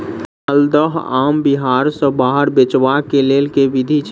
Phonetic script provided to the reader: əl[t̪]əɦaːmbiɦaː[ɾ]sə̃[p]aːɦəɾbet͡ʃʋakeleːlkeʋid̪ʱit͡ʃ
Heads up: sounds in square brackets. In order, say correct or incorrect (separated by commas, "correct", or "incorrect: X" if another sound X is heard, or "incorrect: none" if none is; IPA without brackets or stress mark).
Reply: incorrect: d̪, correct, incorrect: b